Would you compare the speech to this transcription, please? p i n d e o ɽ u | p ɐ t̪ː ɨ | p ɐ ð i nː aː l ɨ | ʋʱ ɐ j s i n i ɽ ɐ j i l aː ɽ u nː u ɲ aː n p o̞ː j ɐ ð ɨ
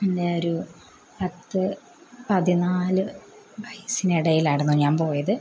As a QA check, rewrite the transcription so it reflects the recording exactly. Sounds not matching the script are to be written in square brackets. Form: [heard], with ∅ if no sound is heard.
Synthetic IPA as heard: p i n d e o [ɾ] u | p ɐ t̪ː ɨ | p ɐ ð i [n] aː l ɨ | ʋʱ ɐ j s i n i ɽ ɐ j i l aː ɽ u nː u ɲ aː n p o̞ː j ɐ ð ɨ